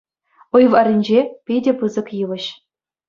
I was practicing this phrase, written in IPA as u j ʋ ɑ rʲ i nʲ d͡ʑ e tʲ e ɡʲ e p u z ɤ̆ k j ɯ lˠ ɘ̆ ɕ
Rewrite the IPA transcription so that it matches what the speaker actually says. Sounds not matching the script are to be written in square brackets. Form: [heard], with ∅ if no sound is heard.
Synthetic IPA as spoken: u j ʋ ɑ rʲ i nʲ d͡ʑ e [pʲ] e [dʲ] e p [ɯ] z ɤ̆ k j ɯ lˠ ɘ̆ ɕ